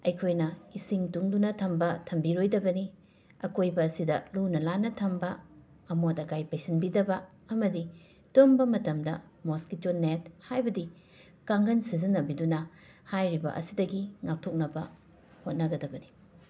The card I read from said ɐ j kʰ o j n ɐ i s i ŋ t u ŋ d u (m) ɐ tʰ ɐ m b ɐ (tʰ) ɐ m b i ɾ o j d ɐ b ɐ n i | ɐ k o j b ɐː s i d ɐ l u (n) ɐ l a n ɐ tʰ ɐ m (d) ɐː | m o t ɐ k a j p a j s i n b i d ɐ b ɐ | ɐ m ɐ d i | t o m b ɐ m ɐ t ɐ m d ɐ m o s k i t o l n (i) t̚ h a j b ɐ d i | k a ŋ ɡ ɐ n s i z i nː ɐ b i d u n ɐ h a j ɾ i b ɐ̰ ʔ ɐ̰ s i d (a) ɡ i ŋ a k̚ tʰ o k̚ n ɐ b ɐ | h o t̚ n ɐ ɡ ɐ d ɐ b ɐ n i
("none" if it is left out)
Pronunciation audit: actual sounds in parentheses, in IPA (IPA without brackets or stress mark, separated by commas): n, tʰ, n, b, e, ɐ